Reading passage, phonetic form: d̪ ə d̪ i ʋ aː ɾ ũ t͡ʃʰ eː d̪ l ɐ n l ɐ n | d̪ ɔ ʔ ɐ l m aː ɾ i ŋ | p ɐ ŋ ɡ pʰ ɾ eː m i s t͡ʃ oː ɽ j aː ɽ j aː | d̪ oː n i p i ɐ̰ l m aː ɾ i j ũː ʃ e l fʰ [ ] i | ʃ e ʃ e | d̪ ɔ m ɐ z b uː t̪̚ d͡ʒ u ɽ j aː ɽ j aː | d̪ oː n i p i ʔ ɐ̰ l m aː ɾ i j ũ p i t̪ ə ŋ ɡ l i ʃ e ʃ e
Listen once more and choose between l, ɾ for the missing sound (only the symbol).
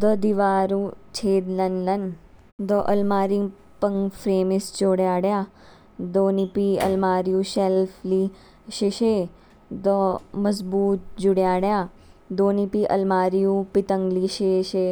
l